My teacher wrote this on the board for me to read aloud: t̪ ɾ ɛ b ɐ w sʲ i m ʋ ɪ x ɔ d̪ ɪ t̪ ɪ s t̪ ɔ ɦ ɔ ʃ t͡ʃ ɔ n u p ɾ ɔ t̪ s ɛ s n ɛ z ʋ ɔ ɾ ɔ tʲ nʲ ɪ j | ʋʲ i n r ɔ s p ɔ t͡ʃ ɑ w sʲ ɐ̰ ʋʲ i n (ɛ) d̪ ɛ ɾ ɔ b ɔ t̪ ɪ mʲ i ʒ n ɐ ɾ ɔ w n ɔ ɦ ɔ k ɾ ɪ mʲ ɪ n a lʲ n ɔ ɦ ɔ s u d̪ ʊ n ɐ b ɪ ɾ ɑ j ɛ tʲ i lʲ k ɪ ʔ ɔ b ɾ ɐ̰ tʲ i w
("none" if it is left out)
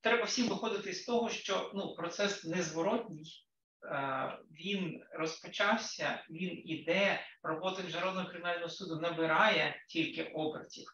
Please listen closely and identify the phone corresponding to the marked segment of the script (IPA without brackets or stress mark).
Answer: i